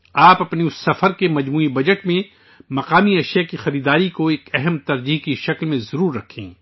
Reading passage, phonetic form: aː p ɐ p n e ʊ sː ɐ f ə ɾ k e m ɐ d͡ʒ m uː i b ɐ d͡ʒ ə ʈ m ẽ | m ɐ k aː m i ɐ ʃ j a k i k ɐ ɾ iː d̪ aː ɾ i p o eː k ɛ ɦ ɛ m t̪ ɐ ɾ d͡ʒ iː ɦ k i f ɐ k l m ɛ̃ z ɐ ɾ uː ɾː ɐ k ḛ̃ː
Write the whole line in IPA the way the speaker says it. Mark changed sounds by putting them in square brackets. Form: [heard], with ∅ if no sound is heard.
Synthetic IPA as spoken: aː p ɐ p n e ʊ sː ɐ f ə ɾ k e m ɐ d͡ʒ m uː i b ɐ d͡ʒ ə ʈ m ẽ | m ɐ [q] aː m i ɐ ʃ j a k i [x] ɐ ɾ iː d̪ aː ɾ i [k] o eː k ɛ ɦ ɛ m t̪ ɐ ɾ d͡ʒ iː ɦ k i [ʃ] ɐ k l m [ẽ] z ɐ ɾ uː ɾː ɐ [kʰ] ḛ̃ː

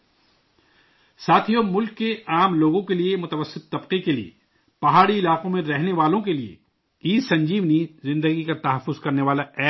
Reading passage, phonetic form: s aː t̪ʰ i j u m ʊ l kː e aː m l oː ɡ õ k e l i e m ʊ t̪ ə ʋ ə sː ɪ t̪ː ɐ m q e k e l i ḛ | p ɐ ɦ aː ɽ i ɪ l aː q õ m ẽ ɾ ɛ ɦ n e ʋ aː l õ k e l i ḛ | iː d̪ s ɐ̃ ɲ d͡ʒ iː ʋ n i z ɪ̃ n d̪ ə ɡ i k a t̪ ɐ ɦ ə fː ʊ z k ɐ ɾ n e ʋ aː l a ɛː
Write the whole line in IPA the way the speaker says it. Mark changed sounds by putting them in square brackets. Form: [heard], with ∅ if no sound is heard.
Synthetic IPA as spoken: s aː t̪ʰ i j [o] m ʊ l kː e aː m l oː ɡ õ k e l i e m ʊ t̪ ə ʋ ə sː ɪ t̪ː ɐ [b] q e k e l i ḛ | p ɐ ɦ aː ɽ i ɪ l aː q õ m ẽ ɾ ɛ ɦ n e ʋ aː l õ k e l i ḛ | iː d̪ s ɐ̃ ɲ d͡ʒ iː ʋ n i z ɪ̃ n d̪ ə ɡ i k a t̪ ɐ ɦ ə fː ʊ z k ɐ ɾ n e ʋ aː l a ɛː

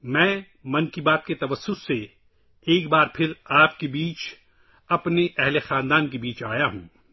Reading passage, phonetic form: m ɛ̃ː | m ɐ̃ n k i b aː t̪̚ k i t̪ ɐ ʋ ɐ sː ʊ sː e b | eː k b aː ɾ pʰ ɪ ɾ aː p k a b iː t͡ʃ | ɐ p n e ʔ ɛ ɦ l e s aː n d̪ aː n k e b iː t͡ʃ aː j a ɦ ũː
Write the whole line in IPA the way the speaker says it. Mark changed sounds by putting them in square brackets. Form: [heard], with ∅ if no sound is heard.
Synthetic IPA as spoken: m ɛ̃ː | m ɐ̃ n k i b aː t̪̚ k [e] t̪ ɐ ʋ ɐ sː ʊ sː e [∅] | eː k b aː ɾ pʰ ɪ ɾ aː p k [e] b iː t͡ʃ | ɐ p n e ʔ ɛ ɦ l e [x] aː n d̪ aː n k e b iː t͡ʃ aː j a ɦ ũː

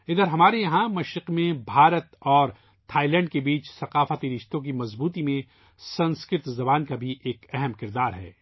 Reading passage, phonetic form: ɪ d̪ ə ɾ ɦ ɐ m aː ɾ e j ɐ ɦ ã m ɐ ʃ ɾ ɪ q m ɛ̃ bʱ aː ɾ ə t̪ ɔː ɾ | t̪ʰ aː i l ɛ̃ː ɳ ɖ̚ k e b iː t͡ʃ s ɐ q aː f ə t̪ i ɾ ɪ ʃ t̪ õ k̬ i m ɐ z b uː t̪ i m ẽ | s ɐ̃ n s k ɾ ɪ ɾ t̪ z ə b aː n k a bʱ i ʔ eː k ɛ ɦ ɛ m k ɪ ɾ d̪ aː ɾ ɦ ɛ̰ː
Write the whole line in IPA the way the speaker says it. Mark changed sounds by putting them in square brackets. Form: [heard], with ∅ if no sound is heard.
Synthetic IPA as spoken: ɪ d̪ ə ɾ ɦ ɐ m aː ɾ e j ɐ ɦ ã m ɐ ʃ ɾ ɪ q m [ẽ] bʱ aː ɾ ə t̪ ɔː ɾ | t̪ʰ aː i l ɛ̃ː ɳ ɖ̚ k e b iː t͡ʃ s ɐ q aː f ə t̪ i ɾ ɪ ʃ t̪ õ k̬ i m ɐ z b uː t̪ i m ẽ | s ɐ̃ n s k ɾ ɪ ɾ t̪ z [ɐ] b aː n k a bʱ i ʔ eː k ɛ ɦ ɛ m k ɪ ɾ d̪ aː ɾ ɦ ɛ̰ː

